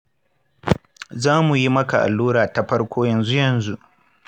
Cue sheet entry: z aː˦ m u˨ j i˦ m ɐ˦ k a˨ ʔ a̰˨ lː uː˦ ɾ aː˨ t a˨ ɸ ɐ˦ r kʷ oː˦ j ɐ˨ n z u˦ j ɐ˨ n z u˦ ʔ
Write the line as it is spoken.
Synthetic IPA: z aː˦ m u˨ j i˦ m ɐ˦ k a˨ ʔ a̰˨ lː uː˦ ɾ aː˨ t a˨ ɸ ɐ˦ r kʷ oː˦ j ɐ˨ n z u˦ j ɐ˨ n z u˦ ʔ

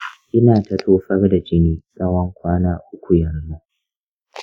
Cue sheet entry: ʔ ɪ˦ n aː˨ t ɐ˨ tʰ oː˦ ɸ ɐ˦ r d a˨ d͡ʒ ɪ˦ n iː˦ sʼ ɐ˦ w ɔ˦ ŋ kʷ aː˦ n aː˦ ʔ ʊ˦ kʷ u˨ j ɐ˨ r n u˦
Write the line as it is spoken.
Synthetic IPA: ʔ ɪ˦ n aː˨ t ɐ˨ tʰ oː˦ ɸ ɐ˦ r d a˨ d͡ʒ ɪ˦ n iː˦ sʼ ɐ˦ w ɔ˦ ŋ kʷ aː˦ n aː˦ ʔ ʊ˦ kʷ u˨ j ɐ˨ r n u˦

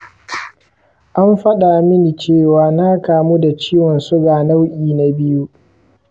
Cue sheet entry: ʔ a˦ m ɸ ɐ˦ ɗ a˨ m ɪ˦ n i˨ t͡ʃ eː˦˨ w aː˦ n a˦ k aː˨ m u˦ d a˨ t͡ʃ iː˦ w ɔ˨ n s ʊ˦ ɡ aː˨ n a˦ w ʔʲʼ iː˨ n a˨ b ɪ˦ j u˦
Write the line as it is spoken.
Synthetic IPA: ʔ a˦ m ɸ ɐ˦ ɗ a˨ m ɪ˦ n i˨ t͡ʃ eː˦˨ w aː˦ n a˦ k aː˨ m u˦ d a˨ t͡ʃ iː˦ w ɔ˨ n s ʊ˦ ɡ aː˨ n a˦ w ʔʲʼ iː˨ n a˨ b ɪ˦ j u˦

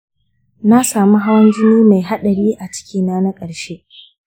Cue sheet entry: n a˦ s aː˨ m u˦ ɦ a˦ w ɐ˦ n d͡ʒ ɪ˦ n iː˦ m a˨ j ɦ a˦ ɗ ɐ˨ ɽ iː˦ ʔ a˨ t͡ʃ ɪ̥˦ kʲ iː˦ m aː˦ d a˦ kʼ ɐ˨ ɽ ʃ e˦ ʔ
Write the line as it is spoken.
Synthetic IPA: n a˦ s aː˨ m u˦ ɦ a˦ w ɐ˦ n d͡ʒ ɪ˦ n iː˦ m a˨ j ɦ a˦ ɗ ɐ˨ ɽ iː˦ ʔ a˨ t͡ʃ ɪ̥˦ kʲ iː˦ n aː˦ n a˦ kʼ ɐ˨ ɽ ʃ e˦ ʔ

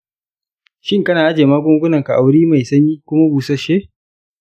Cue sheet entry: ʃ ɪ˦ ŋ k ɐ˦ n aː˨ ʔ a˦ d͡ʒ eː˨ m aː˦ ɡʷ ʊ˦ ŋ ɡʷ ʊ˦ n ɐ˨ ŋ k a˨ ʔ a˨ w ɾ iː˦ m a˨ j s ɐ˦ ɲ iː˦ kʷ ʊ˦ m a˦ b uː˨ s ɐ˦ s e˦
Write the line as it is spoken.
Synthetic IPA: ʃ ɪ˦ ŋ k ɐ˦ n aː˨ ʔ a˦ d͡ʒ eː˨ m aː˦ ɡʷ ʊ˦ ŋ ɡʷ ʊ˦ n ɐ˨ ŋ k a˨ ʔ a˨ w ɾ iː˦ m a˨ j s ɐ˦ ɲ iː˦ kʷ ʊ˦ m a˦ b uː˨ s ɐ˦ ʃ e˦

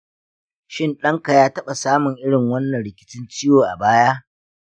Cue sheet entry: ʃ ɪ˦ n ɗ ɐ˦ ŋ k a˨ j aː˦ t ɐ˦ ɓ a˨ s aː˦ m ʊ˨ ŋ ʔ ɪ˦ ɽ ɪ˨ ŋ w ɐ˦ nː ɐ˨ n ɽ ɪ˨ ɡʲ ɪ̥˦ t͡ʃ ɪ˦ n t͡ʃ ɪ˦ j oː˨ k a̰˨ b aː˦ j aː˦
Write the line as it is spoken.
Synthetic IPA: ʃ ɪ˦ n ɗ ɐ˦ ŋ k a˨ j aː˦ t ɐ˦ ɓ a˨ s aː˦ m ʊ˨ ŋ ʔ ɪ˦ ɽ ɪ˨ ŋ w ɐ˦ nː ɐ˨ n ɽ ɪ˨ kʲ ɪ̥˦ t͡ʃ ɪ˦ n t͡ʃ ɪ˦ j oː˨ ʔ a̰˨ b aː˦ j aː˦

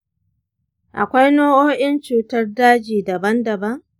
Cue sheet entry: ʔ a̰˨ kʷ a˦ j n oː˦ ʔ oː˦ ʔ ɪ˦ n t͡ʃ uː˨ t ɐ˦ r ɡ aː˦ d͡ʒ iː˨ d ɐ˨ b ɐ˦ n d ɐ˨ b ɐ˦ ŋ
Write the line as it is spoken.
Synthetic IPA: ʔ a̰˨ kʷ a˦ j n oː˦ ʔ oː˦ ʔ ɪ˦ n t͡ʃ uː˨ t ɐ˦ r d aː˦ d͡ʒ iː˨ d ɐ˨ b ɐ˦ n d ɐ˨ b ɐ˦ ŋ

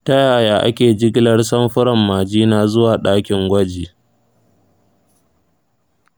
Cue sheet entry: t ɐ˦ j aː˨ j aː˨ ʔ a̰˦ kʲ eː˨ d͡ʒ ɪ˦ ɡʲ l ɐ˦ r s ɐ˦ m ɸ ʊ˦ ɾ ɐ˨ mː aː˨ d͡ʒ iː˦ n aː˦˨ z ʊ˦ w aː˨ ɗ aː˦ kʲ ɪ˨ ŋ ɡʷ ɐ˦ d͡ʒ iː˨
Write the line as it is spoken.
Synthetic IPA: t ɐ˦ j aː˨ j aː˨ ʔ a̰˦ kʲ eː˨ d͡ʒ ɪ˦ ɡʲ l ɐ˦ r s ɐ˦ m ɸ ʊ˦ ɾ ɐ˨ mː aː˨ d͡ʒ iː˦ n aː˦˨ z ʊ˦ w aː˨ ɗ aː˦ kʲ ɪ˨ ŋ ɡʷ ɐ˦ d͡ʒ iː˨

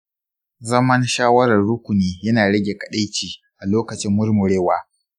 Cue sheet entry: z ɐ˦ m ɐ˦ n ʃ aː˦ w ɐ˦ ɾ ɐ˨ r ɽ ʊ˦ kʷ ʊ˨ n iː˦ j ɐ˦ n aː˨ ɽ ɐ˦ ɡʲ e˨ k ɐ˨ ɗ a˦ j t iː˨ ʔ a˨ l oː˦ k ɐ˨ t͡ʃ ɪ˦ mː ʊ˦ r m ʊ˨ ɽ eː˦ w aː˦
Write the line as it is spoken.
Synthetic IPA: z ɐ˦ m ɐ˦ n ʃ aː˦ w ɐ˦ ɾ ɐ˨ r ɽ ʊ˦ kʷ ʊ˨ n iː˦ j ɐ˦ n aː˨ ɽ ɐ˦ ɡʲ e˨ k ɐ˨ ɗ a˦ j t͡ʃ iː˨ ʔ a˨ l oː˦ k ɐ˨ t͡ʃ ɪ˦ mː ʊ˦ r m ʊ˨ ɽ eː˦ w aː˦

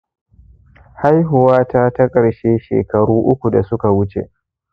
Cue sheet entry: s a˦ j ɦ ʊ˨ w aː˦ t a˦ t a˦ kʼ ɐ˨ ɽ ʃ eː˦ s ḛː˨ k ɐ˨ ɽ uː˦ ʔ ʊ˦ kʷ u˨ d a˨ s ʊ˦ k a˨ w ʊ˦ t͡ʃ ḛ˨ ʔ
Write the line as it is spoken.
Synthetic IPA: h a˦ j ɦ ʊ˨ w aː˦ t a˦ t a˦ kʼ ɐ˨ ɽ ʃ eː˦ ʃ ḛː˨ k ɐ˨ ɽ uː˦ ʔ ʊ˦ kʷ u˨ d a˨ s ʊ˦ k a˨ w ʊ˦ t͡ʃ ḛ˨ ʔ

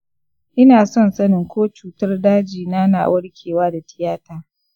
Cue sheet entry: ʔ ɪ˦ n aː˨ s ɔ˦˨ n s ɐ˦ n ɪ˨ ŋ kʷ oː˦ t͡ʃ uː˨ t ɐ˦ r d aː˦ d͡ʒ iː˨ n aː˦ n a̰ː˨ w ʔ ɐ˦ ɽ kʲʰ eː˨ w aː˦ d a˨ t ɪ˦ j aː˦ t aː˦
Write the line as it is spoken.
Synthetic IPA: ʔ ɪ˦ n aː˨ s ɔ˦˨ n s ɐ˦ n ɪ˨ ŋ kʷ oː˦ t͡ʃ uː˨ t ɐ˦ r d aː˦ d͡ʒ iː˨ n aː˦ n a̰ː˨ w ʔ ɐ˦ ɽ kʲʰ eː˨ w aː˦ d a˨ t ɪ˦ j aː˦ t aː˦

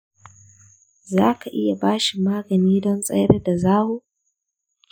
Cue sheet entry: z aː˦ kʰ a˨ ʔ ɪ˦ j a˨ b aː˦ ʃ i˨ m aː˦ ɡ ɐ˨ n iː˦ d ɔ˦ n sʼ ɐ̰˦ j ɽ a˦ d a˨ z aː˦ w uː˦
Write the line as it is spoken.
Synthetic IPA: z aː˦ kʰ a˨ ʔ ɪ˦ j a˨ b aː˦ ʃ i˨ m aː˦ ɡ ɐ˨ n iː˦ d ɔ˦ n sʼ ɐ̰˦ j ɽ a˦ d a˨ z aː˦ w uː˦

